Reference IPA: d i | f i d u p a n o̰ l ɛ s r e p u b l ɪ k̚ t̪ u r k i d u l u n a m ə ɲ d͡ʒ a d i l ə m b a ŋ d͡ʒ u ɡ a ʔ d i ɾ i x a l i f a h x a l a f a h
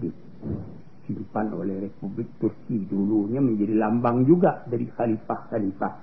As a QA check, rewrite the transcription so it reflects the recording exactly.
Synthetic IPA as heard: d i | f i d u p a n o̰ l ɛ h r e p u b l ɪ k̚ t̪ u r k i d u l u ɲ a m ə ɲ d͡ʒ a d i l a m b a ŋ d͡ʒ u ɡ a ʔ d a ɾ i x a l i f a h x a l i f a h